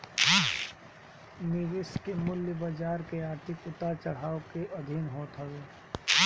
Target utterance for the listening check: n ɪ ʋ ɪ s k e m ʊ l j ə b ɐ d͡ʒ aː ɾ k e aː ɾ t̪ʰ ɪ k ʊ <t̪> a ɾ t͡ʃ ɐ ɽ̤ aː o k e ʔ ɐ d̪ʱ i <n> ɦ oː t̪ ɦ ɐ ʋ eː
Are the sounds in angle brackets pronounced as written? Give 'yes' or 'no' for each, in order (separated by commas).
yes, yes